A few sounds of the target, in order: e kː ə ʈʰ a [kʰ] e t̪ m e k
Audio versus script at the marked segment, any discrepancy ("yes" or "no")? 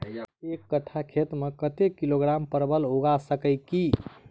no